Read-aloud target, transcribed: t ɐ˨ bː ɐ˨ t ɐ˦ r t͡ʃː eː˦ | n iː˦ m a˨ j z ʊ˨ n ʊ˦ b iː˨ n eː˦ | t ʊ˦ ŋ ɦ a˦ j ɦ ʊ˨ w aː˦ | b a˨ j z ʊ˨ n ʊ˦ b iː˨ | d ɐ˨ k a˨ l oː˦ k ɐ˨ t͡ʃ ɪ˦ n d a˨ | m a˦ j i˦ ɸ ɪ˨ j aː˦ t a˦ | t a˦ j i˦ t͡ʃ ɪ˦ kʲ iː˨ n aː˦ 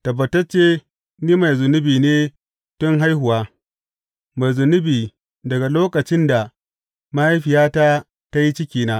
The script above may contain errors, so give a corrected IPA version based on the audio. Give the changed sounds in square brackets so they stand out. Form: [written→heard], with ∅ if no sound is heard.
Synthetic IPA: t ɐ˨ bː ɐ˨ t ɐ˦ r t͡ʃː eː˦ | n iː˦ m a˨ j z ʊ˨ n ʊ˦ b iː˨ n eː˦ | t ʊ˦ ŋ ɦ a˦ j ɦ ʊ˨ w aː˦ | [b→m] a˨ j z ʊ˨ n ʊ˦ b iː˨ | d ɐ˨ [k→ɡ] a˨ l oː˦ k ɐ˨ t͡ʃ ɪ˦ n d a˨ | m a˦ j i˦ ɸ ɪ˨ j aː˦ t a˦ | t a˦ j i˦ t͡ʃ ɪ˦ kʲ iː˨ n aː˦